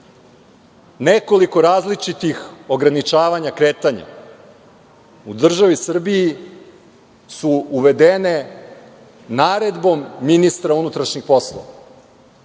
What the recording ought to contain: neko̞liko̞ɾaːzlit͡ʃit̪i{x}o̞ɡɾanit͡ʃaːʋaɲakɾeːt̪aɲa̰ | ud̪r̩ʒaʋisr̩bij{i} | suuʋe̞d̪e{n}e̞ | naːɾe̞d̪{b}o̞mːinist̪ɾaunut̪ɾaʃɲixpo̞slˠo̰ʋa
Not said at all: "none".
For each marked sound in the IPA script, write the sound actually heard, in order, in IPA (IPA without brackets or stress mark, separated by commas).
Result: x, i, n, b